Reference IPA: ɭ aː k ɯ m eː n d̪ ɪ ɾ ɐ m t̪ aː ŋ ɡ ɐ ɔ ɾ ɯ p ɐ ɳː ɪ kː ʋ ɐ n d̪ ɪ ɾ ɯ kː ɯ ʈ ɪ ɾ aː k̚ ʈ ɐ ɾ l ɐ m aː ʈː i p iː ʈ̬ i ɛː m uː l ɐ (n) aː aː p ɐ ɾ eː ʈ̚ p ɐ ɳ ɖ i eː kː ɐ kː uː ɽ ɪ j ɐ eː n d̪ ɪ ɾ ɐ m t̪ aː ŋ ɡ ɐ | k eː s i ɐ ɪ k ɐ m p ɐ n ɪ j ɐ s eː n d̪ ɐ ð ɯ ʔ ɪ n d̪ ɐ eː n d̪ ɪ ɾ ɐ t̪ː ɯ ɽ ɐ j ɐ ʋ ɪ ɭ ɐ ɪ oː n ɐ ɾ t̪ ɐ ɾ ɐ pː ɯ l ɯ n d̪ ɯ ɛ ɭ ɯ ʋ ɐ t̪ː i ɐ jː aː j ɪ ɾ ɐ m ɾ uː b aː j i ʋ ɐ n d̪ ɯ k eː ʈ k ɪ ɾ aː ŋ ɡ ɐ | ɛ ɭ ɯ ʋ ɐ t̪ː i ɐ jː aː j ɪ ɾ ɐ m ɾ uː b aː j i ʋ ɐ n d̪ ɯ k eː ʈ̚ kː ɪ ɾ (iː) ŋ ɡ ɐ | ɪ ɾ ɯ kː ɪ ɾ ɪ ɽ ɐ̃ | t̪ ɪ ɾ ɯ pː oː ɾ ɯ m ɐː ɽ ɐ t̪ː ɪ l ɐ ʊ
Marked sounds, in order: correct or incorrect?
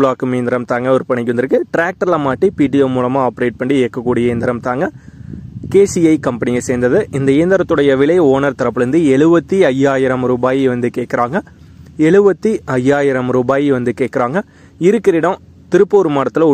incorrect: m, incorrect: aː

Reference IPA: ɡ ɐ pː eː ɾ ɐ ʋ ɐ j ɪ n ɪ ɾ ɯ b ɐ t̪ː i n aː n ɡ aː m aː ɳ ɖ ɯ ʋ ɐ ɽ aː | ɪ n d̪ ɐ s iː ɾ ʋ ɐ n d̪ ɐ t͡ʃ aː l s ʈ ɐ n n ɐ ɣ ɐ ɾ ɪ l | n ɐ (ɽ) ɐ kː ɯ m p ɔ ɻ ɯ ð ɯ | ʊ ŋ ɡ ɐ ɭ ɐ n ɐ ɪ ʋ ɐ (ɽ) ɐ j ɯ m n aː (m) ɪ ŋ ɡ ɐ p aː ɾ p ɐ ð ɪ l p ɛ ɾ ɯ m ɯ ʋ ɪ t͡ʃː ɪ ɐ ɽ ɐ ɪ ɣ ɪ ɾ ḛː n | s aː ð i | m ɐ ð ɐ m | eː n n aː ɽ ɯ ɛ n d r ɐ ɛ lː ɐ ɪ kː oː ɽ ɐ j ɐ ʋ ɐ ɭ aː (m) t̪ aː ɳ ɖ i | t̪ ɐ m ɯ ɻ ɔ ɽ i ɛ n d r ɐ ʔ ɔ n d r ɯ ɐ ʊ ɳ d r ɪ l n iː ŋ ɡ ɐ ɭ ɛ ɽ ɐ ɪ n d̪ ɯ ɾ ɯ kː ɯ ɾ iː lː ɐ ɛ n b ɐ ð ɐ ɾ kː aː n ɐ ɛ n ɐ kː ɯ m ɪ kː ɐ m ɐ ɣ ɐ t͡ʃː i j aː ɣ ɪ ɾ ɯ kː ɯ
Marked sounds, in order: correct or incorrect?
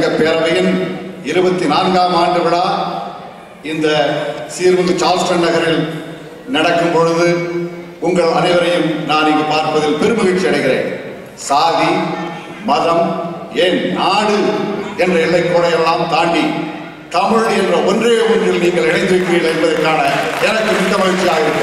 correct, incorrect: ɾ, incorrect: n, correct

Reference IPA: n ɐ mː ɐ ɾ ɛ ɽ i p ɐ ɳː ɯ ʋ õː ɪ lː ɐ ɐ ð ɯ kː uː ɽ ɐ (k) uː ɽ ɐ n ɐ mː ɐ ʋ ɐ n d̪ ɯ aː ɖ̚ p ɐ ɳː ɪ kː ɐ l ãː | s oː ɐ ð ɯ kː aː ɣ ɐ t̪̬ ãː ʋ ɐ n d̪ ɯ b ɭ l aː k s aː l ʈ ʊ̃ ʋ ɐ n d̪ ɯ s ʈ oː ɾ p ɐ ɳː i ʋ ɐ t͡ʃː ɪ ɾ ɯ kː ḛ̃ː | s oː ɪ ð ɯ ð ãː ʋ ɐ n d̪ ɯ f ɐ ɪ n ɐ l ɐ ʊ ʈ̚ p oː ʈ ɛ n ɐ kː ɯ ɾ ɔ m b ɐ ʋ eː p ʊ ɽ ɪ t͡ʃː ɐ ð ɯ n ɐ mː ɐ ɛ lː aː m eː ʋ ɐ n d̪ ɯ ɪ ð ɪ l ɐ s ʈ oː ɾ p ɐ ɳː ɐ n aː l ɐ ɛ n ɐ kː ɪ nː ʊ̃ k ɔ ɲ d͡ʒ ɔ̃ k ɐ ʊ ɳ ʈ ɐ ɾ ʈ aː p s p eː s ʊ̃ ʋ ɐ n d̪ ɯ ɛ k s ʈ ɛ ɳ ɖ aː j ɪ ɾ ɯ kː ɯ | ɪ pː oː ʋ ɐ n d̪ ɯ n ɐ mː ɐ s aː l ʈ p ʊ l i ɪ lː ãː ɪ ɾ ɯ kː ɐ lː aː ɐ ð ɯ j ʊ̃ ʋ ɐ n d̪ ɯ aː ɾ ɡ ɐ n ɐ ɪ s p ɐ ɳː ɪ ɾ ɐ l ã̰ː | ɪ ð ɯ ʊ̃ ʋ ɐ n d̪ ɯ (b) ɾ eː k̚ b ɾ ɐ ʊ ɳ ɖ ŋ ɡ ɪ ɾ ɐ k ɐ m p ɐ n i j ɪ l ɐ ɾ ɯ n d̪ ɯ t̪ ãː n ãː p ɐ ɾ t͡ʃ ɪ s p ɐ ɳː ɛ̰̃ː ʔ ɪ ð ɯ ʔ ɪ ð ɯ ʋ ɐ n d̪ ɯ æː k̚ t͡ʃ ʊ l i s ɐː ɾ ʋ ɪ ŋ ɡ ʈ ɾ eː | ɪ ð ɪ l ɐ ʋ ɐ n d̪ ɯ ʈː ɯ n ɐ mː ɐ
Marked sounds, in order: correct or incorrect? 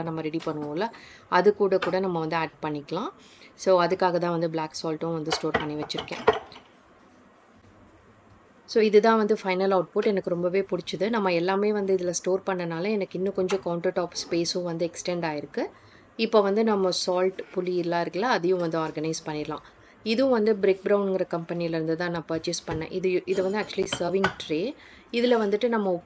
correct, correct

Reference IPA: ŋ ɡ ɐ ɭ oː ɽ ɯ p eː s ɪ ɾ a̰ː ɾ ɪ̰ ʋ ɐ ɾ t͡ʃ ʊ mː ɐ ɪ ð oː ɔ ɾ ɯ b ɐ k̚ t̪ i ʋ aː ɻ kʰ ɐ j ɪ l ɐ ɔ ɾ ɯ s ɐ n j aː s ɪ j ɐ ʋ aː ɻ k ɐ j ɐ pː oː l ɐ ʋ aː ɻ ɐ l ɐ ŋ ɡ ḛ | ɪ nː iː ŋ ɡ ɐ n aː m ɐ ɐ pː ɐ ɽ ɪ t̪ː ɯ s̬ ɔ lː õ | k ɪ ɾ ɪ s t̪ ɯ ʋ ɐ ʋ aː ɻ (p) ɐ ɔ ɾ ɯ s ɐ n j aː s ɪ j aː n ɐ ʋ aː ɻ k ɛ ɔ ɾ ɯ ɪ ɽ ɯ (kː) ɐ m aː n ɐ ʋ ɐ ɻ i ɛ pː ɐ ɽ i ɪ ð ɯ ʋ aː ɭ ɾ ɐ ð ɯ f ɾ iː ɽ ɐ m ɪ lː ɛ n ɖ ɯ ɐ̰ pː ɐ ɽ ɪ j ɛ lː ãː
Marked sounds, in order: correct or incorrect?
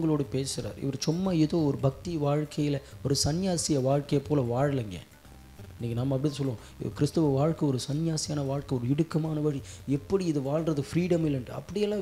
incorrect: k, correct

